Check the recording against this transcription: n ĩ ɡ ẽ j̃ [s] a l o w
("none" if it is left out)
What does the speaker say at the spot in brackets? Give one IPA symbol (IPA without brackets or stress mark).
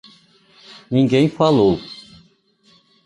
f